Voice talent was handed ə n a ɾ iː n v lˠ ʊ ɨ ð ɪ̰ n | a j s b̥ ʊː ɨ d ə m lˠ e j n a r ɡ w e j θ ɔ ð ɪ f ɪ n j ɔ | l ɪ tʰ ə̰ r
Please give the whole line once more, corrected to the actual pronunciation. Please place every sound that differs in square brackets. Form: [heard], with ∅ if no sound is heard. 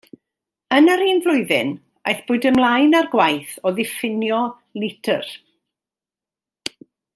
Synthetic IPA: ə n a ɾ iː n v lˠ ʊ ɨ ð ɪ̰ n | a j [θ] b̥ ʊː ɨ d ə m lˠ [a] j n a r ɡ w [a] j θ ɔ ð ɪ f ɪ n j ɔ | l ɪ tʰ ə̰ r